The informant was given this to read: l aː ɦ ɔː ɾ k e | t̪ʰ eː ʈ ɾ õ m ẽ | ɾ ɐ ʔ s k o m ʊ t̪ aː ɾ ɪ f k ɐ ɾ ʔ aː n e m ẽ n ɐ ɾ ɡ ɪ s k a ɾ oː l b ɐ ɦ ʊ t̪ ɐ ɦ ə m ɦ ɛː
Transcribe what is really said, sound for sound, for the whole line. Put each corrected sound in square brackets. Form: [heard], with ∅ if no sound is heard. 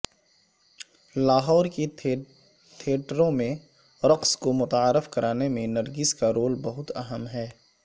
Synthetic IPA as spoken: l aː ɦ ɔː ɾ k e | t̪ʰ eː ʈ ɾ õ m ẽ | ɾ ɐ [q] s k o m ʊ t̪ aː ɾ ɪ f k ɐ ɾ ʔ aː n e m ẽ n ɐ ɾ ɡ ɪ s k a ɾ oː l b ɐ ɦ ʊ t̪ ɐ ɦ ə m ɦ ɛː